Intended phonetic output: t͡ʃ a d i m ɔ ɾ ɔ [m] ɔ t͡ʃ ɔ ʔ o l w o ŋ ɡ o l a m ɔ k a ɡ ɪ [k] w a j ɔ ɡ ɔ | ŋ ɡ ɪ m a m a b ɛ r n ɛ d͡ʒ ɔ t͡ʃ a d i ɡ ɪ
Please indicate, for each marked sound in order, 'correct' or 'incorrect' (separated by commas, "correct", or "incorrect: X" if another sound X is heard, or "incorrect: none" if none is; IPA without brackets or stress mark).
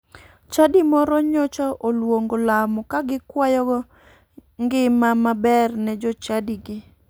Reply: incorrect: ɲ, correct